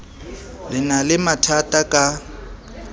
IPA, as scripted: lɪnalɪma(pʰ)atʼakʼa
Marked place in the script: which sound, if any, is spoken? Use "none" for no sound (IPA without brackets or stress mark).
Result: tʰ